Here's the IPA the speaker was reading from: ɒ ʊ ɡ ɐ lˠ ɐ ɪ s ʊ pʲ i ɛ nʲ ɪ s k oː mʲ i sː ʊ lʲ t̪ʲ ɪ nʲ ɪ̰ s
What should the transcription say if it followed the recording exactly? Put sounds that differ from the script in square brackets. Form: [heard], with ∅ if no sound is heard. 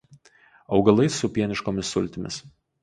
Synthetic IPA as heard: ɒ ʊ ɡ ɐ lˠ ɐ ɪ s ʊ pʲ i ɛ nʲ ɪ [ʃ] k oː mʲ [ɪ] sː ʊ lʲ t̪ʲ ɪ [mʲ] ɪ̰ s

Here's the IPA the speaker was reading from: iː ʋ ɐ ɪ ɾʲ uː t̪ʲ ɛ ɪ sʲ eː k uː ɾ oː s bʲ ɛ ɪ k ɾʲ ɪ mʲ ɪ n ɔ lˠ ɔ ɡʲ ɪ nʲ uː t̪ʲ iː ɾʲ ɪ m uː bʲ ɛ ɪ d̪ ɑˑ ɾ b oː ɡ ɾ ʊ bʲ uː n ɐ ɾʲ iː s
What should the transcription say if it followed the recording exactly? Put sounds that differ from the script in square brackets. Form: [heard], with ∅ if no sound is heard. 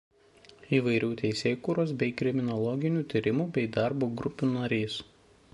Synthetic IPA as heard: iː ʋ ɐ ɪ ɾʲ uː t̪ʲ ɛ ɪ sʲ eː k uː ɾ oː s bʲ ɛ ɪ k ɾʲ ɪ mʲ ɪ n ɔ lˠ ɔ ɡʲ ɪ nʲ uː t̪ʲ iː ɾʲ ɪ m uː bʲ ɛ ɪ d̪ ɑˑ ɾ b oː ɡ ɾ ʊ [pʲ] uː n ɐ ɾʲ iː s

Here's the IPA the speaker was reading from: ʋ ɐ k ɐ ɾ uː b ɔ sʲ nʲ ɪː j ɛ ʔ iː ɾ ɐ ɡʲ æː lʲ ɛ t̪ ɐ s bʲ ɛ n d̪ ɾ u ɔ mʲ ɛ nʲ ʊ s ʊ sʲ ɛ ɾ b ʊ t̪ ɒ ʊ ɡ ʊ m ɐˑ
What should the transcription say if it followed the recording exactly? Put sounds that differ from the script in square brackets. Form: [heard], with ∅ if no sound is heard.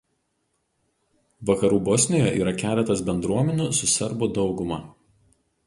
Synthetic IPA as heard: ʋ ɐ k ɐ ɾ uː b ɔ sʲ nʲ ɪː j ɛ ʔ iː ɾ ɐ [kʲ] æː lʲ ɛ t̪ ɐ s bʲ ɛ n d̪ ɾ u ɔ mʲ ɛ nʲ ʊ s ʊ sʲ ɛ ɾ b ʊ [d̪] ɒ ʊ ɡ ʊ m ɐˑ

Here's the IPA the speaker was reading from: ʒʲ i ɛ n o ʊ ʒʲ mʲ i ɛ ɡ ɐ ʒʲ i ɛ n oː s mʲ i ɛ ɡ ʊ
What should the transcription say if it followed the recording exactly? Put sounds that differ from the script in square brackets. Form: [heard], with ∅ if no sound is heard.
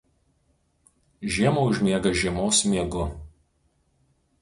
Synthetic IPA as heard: ʒʲ i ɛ [m] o ʊ ʒʲ mʲ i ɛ ɡ ɐ ʒʲ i ɛ [m] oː s mʲ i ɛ ɡ ʊ

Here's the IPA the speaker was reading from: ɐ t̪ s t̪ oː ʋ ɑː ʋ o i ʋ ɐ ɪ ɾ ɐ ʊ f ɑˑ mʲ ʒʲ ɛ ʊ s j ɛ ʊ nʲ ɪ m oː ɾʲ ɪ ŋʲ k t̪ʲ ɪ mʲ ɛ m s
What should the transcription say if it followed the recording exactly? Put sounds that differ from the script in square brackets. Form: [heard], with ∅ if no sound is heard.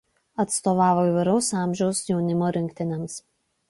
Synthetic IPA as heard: ɐ t̪ s t̪ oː ʋ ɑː ʋ o i ʋ ɐ ɪ ɾ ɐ ʊ [s] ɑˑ mʲ ʒʲ ɛ ʊ s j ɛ ʊ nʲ ɪ m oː ɾʲ ɪ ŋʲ k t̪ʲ ɪ [nʲ] ɛ m s

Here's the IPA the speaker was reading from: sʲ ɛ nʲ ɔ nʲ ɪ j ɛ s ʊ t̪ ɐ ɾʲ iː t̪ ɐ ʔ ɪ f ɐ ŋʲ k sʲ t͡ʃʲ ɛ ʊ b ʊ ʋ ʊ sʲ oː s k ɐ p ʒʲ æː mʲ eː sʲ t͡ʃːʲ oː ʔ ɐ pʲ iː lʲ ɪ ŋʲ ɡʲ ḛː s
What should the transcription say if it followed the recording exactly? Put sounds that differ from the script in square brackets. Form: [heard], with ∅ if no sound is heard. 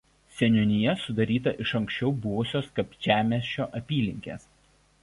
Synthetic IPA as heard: sʲ ɛ nʲ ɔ nʲ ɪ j ɛ s ʊ [d̪] ɐ ɾʲ iː t̪ ɐ ʔ ɪ [ʃ] ɐ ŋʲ k sʲ t͡ʃʲ ɛ ʊ b ʊ ʋ ʊ sʲ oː s k ɐ p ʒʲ æː mʲ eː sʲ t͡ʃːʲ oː ʔ ɐ pʲ iː lʲ ɪ ŋʲ [kʲ] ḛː s

